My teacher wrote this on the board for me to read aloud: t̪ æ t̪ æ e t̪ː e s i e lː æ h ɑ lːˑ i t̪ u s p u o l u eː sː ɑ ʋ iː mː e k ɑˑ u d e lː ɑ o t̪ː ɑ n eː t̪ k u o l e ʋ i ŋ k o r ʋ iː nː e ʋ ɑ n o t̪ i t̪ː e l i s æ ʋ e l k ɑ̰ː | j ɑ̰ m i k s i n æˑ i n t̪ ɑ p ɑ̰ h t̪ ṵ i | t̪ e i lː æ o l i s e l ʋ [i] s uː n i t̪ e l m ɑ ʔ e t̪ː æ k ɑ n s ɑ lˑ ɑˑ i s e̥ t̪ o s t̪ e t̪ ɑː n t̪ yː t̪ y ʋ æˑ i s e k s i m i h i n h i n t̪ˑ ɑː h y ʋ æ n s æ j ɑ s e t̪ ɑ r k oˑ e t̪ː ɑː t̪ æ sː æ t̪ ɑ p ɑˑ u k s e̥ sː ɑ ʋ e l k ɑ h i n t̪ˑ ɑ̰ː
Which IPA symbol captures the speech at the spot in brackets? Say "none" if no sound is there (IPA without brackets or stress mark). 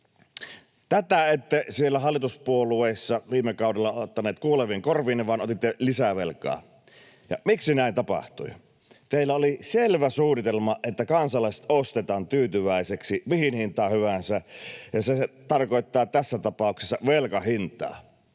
æ